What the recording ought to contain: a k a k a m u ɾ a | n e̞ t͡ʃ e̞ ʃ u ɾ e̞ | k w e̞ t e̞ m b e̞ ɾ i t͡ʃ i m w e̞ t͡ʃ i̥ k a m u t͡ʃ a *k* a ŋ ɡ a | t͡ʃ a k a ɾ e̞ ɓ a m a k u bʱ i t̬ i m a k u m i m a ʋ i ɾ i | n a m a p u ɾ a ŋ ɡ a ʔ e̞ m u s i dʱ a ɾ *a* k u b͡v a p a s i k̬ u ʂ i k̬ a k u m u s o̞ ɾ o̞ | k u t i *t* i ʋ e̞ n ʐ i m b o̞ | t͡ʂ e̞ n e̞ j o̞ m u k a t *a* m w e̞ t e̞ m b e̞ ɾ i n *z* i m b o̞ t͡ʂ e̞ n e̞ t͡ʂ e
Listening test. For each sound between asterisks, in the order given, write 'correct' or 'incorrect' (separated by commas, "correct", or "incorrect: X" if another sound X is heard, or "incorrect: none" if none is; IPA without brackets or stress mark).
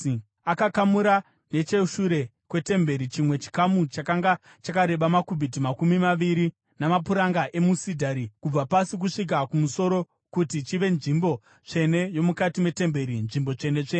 correct, incorrect: i, incorrect: t͡ʃ, incorrect: i, incorrect: ʐ